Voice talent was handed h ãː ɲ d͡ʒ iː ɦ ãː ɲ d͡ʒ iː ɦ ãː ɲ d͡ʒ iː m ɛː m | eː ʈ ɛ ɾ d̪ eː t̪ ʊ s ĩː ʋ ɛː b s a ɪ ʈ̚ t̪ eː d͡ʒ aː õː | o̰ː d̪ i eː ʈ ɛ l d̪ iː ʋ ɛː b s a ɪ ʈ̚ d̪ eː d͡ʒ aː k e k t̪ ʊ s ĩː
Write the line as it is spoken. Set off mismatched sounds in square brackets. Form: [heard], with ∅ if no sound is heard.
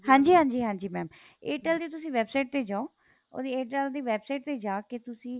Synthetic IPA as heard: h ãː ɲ d͡ʒ iː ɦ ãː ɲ d͡ʒ iː ɦ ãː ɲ d͡ʒ iː m ɛː m | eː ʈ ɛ [l] d̪ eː t̪ ʊ s ĩː ʋ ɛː b s a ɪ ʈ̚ t̪ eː d͡ʒ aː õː | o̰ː d̪ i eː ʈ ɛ l d̪ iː ʋ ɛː b s a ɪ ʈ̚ [t̪] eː d͡ʒ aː k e [∅] t̪ ʊ s ĩː